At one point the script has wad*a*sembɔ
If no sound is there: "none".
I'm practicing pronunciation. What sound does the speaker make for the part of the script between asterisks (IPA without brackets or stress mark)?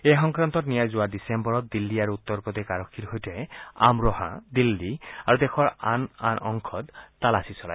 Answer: i